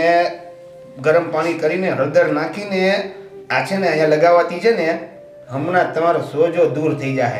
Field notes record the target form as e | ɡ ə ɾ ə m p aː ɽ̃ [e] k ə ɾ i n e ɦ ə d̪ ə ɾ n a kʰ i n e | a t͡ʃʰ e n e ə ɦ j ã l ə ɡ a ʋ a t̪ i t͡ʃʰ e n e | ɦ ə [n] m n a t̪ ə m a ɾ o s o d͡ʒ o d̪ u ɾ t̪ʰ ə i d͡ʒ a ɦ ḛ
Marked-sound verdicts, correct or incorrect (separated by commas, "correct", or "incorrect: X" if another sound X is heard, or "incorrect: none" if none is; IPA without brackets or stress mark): incorrect: i, incorrect: none